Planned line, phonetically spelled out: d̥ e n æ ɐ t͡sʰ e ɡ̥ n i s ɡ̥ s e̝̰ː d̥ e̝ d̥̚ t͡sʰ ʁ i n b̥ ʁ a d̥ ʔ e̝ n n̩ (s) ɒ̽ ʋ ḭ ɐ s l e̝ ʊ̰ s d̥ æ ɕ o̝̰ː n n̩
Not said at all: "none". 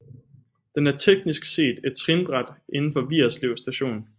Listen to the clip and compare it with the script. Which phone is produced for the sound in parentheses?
f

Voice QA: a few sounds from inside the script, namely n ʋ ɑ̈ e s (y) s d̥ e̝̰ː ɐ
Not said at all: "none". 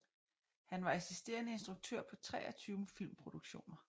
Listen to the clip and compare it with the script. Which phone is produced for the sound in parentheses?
i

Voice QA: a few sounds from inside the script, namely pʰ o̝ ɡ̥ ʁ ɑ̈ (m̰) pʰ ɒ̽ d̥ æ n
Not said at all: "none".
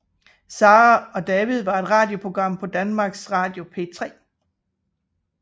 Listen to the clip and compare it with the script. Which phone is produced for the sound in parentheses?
m̰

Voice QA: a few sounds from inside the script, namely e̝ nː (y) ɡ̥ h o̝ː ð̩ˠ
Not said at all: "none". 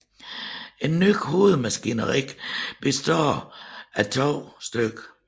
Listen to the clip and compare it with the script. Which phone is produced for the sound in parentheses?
y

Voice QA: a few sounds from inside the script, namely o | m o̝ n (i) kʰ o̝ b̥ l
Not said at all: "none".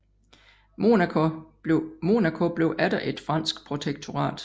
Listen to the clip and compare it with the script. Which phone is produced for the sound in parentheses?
æ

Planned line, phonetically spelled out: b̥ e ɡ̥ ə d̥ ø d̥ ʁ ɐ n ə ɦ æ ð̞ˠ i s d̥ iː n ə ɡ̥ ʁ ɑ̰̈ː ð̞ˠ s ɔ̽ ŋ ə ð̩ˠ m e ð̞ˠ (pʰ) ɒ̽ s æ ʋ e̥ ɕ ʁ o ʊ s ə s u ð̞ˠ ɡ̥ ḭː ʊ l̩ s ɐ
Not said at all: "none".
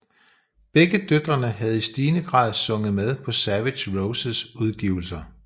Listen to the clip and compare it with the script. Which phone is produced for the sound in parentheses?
pʰ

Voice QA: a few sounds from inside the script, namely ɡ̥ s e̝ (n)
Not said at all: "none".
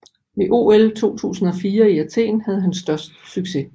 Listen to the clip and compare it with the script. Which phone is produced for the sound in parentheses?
none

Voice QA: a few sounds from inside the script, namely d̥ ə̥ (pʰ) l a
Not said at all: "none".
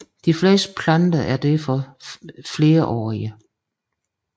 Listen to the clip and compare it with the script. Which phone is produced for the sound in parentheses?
pʰ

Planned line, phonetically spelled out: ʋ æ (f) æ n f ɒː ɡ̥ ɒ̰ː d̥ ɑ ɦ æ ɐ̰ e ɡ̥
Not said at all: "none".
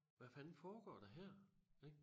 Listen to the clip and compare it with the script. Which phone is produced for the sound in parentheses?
f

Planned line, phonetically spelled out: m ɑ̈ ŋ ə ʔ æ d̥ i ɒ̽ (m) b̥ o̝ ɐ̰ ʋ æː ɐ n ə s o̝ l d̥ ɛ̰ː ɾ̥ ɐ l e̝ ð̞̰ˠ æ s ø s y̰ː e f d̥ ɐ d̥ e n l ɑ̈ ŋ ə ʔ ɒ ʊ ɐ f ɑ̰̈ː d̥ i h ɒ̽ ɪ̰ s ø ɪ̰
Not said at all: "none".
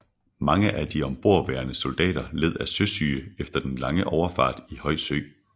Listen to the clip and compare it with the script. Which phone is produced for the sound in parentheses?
m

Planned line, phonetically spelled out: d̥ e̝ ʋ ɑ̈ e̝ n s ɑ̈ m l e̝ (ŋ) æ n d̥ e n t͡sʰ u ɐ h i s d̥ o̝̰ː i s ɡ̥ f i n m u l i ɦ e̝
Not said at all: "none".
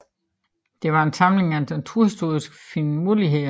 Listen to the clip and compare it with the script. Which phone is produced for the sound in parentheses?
ŋ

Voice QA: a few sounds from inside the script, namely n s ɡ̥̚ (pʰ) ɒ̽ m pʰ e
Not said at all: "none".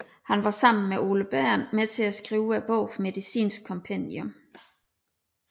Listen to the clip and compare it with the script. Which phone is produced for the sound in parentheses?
kʰ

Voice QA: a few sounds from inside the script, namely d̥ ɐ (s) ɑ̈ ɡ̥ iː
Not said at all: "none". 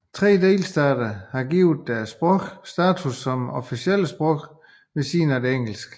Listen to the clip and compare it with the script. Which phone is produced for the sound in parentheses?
h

